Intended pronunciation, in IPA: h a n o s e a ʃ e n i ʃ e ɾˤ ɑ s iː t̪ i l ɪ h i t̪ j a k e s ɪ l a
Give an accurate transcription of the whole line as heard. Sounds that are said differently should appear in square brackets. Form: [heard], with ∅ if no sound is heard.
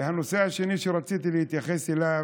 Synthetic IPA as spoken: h a n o s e a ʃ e n i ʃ e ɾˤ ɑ [t͡s] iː t̪ i l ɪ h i t̪ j a [x] e s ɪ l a